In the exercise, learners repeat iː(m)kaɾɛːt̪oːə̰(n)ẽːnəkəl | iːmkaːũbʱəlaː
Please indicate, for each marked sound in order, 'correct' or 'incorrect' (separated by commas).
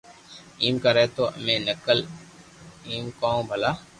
correct, incorrect